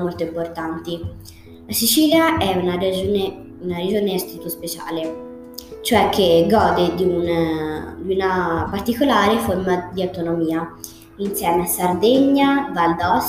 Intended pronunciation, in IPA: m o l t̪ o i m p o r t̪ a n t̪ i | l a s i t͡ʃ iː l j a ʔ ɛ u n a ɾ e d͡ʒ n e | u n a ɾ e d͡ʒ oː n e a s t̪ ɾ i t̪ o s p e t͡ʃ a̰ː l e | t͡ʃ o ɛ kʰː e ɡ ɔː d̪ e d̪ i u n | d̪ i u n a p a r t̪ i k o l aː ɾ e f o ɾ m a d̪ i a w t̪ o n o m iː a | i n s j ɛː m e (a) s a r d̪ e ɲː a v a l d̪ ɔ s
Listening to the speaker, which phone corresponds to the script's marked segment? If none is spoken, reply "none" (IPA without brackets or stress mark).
a